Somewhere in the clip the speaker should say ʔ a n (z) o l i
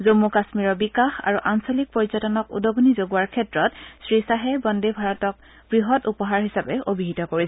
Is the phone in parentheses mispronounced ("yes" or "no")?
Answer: yes